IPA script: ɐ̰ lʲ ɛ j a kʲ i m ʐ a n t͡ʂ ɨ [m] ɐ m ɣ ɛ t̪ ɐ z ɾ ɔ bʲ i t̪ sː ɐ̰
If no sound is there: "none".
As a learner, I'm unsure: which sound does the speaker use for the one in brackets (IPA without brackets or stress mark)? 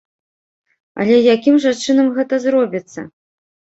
n